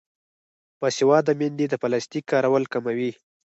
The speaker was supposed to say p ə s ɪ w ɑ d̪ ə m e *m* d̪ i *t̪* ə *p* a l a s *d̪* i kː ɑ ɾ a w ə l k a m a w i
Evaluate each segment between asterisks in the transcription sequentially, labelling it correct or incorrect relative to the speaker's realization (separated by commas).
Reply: incorrect, incorrect, correct, incorrect